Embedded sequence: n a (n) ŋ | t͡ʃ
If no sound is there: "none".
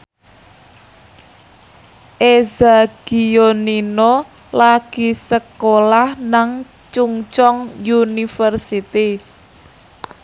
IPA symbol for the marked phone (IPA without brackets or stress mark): none